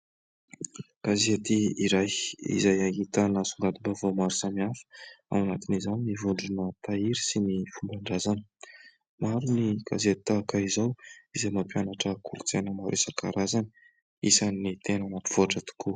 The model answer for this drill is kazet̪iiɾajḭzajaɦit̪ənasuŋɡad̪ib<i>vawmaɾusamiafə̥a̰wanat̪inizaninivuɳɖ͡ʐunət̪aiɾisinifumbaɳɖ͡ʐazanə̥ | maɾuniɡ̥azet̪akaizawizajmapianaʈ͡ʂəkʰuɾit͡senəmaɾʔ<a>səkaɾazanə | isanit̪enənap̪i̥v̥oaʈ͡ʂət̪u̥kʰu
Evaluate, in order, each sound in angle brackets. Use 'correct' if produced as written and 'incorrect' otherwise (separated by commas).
incorrect, incorrect